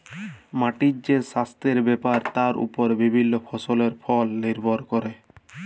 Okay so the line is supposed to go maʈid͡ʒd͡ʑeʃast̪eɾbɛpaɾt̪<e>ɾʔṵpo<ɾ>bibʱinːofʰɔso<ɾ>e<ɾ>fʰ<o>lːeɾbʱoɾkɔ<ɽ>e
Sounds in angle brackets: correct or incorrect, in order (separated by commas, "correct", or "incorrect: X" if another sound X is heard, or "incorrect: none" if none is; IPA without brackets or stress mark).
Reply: incorrect: a, correct, incorrect: l, correct, incorrect: ɔ, incorrect: ɾ